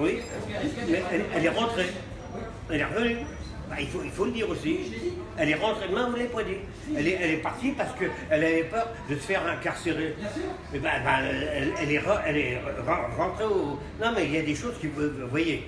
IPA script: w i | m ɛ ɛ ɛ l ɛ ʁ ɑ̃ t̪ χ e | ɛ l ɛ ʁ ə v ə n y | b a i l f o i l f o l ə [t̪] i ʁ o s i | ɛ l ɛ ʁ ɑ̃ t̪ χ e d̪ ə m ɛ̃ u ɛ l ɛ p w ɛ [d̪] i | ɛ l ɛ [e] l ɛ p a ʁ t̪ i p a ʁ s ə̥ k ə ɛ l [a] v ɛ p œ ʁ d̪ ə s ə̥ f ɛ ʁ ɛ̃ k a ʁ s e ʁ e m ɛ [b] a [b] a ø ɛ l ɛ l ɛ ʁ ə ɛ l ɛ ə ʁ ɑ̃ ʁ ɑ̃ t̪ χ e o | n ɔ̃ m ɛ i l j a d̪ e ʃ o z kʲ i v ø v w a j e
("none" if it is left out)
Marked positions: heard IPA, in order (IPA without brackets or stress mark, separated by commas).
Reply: d̪, d̪, ɛ, a, b, b